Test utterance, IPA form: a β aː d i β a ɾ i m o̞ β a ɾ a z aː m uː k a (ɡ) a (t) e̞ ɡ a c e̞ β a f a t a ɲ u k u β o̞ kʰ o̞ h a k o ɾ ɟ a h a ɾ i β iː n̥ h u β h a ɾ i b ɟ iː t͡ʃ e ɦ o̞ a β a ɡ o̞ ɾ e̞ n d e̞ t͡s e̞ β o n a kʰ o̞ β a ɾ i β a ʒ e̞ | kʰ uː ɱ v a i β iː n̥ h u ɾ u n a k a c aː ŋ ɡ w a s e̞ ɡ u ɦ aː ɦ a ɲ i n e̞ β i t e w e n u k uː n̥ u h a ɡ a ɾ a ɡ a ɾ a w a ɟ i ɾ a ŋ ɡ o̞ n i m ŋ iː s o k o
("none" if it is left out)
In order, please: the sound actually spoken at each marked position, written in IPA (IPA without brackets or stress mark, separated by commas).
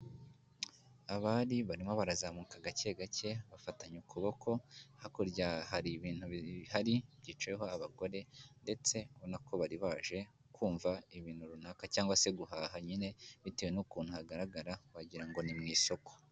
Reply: ɡ, c